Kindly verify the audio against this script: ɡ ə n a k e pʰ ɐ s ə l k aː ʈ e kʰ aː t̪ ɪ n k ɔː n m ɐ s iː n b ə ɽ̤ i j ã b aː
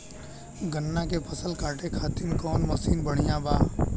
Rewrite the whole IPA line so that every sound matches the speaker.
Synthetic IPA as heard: ɡ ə nː a k e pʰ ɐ s ə l k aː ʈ e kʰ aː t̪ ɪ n k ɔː n m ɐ s iː n b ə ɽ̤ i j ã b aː